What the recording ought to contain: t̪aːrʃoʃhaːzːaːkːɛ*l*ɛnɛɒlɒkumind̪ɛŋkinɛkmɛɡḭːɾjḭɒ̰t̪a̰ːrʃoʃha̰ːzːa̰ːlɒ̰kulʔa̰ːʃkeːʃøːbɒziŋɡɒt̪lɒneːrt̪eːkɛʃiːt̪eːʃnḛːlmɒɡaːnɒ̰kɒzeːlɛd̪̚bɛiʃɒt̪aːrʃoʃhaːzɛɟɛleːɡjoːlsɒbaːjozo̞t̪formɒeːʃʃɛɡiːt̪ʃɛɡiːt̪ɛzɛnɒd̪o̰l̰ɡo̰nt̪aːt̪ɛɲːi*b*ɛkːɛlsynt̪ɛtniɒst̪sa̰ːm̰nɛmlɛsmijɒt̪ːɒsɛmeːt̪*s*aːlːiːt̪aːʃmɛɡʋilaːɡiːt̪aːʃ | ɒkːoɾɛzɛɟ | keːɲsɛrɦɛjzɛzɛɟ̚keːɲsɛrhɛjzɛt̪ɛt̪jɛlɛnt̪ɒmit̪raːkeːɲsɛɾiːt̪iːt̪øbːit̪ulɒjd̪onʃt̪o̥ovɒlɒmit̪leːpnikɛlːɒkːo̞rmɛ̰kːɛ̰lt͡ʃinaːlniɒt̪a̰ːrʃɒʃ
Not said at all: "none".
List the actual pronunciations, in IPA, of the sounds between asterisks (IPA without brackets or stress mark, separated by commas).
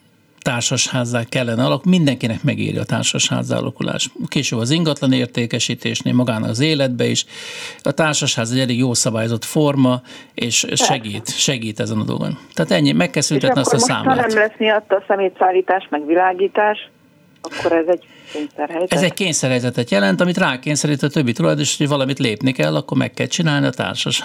lː, m, s